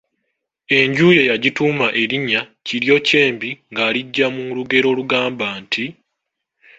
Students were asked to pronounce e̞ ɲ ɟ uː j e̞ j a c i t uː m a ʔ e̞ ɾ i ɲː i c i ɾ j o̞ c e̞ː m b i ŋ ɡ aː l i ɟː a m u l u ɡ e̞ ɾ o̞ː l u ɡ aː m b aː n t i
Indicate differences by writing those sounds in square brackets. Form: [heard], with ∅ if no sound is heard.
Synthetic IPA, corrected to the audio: e̞ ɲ ɟ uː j e̞ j a [ɟ] i t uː m a ʔ e̞ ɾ i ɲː [a] c i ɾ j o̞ c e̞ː m b i ŋ ɡ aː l i ɟː a m u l u ɡ e̞ ɾ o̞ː l u ɡ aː m b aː n t i

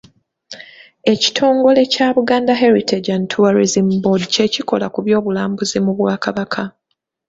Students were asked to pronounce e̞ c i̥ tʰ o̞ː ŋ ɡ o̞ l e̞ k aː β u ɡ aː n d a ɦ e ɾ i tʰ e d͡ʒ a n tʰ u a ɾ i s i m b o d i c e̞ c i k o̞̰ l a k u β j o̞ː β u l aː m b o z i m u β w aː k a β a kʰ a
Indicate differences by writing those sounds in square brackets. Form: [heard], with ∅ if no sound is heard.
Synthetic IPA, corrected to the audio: e̞ c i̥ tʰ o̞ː ŋ ɡ o̞ l e̞ [c] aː β u ɡ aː n d a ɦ e ɾ i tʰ e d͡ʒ a n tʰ u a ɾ i [z] i m b o d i c e̞ c i k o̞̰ l a k u β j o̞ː β u l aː m b [u] z i m u β w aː k a β a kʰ a

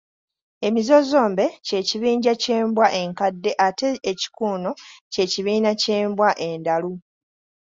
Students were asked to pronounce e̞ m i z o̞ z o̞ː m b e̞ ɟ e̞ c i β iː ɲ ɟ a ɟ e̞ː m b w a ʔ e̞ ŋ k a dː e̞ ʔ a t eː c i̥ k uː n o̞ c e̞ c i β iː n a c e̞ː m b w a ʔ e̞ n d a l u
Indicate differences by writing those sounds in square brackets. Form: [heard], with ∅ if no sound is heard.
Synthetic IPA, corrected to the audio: e̞ m i z o̞ z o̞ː m b e̞ [c] e̞ c i β iː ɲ ɟ a [c] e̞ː m b w a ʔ e̞ ŋ k a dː e̞ ʔ a t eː c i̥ k uː n o̞ c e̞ c i β iː n a c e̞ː m b w a ʔ e̞ n d a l u

